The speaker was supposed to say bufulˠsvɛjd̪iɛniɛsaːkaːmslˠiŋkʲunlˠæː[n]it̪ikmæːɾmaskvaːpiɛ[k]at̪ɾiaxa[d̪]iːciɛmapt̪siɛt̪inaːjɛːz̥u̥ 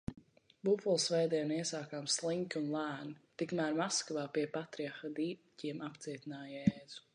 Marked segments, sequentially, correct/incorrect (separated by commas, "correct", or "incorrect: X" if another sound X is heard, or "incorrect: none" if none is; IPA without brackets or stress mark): correct, incorrect: p, correct